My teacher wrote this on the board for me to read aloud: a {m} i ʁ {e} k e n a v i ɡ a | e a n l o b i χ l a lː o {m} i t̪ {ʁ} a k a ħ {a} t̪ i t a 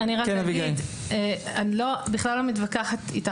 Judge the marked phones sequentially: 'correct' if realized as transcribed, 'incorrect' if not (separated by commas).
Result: incorrect, incorrect, correct, incorrect, correct